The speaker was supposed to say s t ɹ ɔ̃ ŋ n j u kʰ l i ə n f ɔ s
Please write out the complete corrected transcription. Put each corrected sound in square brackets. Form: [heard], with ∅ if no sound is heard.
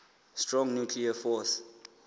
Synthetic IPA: s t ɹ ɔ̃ ŋ n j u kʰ l i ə [∅] f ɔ s